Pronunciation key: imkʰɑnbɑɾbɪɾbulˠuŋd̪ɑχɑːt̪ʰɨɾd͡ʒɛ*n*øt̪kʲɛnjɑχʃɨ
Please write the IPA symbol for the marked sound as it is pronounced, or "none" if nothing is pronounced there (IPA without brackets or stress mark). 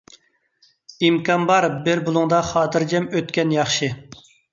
m